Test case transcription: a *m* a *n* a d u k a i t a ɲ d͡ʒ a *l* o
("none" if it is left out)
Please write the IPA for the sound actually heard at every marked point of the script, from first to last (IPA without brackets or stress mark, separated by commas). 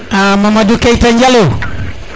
m, m, l